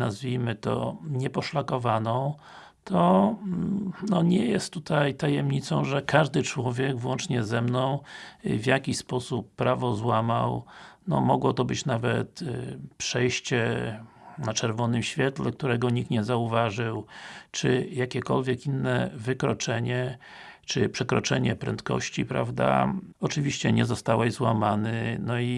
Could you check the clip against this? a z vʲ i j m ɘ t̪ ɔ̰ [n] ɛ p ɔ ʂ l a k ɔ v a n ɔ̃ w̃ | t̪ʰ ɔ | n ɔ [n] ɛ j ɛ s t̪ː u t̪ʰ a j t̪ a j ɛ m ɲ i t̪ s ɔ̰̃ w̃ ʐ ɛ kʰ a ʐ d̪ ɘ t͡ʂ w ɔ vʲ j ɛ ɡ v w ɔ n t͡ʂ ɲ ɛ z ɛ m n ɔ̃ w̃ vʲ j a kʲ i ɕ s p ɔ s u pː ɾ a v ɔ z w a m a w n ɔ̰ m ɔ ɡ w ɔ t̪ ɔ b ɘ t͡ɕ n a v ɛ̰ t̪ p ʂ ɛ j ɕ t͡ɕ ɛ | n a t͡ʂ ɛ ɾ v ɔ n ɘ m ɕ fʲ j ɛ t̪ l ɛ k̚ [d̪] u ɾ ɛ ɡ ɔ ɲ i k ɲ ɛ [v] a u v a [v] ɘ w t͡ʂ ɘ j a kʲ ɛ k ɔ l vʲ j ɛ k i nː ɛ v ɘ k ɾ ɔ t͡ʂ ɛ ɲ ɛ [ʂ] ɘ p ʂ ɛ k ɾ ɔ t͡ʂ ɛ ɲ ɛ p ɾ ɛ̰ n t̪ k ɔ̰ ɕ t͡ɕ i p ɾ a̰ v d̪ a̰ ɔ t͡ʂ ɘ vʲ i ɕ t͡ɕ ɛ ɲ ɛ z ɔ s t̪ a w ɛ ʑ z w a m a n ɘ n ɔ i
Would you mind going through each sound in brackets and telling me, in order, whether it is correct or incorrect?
incorrect: ɲ, incorrect: ɲ, incorrect: t̪, incorrect: z, incorrect: ʐ, incorrect: t͡ʂ

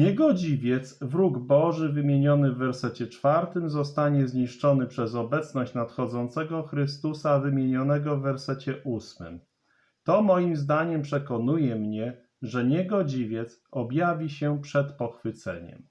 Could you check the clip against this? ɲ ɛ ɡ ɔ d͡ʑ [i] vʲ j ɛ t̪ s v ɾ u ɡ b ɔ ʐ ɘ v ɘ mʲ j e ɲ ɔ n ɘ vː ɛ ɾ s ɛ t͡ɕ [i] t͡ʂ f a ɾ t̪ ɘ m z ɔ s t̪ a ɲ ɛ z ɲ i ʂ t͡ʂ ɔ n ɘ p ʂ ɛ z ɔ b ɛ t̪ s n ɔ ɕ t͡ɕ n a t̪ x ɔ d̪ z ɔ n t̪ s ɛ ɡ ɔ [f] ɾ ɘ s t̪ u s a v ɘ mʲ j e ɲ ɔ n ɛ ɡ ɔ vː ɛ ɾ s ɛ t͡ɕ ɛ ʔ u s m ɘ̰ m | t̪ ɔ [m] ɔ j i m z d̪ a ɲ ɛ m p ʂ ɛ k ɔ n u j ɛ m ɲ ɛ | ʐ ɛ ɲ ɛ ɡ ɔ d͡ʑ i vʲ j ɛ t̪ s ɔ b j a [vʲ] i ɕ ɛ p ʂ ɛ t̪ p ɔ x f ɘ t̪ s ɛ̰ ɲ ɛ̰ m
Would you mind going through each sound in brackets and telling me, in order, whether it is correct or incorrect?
correct, incorrect: ɛ, incorrect: x, correct, correct

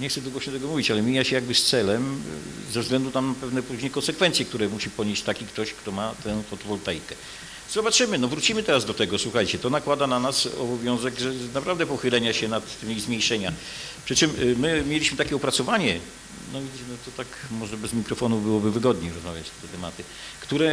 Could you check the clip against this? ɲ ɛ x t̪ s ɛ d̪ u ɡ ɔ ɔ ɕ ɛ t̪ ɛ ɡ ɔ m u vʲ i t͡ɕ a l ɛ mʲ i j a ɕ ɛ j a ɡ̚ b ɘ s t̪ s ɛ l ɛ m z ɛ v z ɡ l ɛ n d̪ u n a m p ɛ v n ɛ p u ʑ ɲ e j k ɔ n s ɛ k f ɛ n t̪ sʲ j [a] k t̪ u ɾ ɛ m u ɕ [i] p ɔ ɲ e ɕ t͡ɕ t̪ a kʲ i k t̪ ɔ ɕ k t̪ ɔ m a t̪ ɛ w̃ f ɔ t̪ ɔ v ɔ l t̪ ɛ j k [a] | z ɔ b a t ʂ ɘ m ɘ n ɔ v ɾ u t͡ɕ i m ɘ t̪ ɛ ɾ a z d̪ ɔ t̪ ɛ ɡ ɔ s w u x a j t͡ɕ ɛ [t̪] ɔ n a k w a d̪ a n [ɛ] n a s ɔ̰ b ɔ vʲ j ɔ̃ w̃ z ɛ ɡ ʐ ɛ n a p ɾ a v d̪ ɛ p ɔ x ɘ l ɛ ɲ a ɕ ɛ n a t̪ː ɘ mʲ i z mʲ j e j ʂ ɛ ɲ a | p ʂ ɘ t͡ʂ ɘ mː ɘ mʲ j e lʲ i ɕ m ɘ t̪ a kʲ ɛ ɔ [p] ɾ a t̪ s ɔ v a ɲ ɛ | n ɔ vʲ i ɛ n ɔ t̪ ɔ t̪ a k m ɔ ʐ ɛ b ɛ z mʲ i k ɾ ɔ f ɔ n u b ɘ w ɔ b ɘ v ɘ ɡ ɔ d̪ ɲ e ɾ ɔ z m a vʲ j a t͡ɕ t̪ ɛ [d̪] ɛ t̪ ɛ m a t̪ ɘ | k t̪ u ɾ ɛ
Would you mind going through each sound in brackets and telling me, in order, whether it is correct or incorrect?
incorrect: ɛ, correct, incorrect: ɛ, correct, incorrect: a, correct, incorrect: t̪

